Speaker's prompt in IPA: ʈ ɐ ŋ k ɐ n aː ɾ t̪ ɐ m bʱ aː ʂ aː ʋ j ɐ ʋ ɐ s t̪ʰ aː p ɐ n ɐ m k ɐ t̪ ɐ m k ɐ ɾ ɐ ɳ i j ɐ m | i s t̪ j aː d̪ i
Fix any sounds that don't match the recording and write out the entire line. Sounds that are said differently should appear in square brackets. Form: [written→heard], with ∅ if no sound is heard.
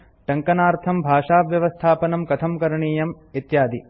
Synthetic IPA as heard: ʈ ɐ ŋ k ɐ n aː ɾ [t̪→t̪ʰ] ɐ m bʱ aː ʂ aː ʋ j ɐ ʋ ɐ s t̪ʰ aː p ɐ n ɐ m k ɐ [t̪→t̪ʰ] ɐ m k ɐ ɾ ɐ ɳ [i→iː] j ɐ m | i [s→∅] t̪ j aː d̪ i